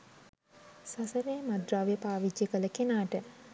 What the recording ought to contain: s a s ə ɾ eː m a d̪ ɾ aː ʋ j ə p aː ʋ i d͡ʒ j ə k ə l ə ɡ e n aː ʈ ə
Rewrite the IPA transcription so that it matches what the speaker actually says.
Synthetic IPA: s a s ə ɾ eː m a d̪ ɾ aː ʋ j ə p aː ʋ i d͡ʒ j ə k ə l ə k e n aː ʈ ə